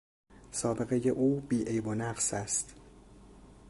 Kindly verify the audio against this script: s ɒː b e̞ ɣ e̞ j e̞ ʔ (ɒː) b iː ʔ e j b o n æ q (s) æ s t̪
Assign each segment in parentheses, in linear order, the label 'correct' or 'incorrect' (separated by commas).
incorrect, correct